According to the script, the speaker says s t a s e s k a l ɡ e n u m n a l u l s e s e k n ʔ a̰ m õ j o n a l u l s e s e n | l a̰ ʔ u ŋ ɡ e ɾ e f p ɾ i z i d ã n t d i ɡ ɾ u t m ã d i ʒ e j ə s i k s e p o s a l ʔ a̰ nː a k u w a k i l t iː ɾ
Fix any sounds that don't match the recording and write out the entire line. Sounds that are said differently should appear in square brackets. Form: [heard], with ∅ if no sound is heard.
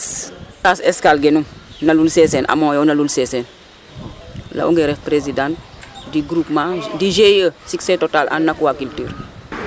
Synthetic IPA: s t a s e s k a l ɡ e n u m n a l u l s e s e [∅] n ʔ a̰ m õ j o n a l u l s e s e n | l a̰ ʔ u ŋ ɡ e ɾ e f p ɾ [e] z i d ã n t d i ɡ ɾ u [p] m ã d i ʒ e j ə s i k s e [t] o [t] a l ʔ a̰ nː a k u w a k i l t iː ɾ

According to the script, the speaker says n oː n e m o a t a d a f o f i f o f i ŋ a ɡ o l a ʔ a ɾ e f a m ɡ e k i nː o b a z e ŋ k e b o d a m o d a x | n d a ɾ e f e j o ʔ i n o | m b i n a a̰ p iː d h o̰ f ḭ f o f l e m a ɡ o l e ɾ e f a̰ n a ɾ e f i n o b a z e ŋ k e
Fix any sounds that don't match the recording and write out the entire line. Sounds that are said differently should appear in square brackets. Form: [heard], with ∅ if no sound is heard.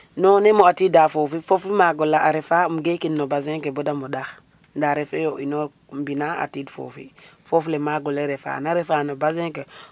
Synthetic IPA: n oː n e m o a t [i] d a f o f i f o f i [m] a ɡ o l a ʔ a ɾ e f a m ɡ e k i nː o b a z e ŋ k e b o d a m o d a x | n d a ɾ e f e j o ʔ i n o | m b i n a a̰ [t] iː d [f] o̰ f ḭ f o f l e m a ɡ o l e ɾ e f a̰ n a ɾ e f [a] n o b a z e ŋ k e

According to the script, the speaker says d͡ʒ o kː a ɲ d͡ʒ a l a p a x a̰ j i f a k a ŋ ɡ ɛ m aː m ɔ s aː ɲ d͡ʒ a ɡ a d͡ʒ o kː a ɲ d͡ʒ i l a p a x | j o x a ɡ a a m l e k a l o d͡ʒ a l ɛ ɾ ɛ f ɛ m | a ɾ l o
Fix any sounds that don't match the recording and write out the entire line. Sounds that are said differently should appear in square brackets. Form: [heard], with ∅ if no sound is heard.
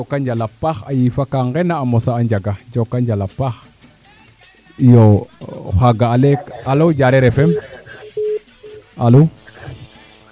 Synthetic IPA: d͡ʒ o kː a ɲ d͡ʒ a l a p a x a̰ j i f a k a ŋ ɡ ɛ [n] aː m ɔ s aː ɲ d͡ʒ a ɡ a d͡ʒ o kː a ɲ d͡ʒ [a] l a p a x | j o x a ɡ a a [∅] l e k a l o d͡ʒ a [ɾ] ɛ ɾ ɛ f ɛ m | a [∅] l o

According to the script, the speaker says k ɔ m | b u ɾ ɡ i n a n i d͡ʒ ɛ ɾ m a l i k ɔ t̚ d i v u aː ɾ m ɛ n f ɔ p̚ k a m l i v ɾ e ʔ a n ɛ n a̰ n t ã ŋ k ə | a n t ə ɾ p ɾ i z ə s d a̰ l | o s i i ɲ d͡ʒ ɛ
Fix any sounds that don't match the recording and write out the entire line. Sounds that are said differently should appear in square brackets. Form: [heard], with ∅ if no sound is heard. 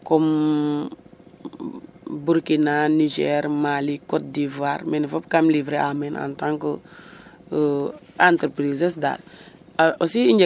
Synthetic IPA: k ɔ m | b u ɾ [k] i n a n i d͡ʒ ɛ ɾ m a l i k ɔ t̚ d i v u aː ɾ m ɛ n f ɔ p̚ k a m l i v ɾ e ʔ a [m] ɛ n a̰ n t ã ŋ k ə | a n t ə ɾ p ɾ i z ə s d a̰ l | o s i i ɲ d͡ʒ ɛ

